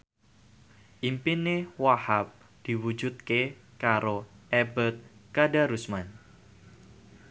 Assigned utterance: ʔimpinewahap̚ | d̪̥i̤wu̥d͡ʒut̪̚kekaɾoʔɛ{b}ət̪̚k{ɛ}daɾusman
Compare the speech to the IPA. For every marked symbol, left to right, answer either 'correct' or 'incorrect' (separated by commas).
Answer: correct, incorrect